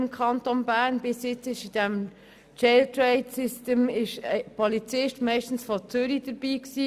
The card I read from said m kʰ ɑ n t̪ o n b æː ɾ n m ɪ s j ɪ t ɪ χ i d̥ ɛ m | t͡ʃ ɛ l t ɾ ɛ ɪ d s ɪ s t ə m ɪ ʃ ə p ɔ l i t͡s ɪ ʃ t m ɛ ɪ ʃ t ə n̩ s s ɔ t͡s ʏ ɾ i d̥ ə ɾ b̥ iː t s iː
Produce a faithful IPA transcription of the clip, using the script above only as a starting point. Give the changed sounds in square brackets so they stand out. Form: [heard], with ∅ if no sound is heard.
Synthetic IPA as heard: m kʰ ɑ n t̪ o n b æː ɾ n [b] ɪ s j ɪ [t͡s] ɪ [ʃ] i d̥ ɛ m | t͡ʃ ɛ l t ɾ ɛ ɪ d s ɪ s t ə m ɪ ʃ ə p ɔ l i t͡s ɪ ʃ t m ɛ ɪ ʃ t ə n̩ s [f] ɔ t͡s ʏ ɾ i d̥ ə ɾ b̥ iː [k] s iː